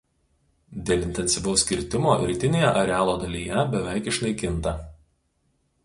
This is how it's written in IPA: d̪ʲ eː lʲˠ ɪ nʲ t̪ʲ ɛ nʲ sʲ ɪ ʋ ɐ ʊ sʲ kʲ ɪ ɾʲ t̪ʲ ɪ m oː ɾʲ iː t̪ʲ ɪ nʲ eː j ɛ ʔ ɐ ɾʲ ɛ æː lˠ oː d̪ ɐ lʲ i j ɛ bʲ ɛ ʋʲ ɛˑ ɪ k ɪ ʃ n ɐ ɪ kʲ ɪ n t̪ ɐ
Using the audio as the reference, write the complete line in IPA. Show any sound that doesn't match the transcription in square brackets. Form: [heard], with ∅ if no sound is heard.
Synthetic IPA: d̪ʲ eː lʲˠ ɪ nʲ t̪ʲ ɛ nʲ sʲ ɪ ʋ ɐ ʊ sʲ kʲ ɪ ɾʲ t̪ʲ ɪ m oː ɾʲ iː t̪ʲ ɪ nʲ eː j ɛ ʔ ɐ ɾʲ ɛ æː lˠ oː d̪ ɐ lʲ i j ɛ bʲ ɛ ʋʲ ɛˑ ɪ k ɪ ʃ n ɐ ɪ kʲ ɪ n t̪ ɐ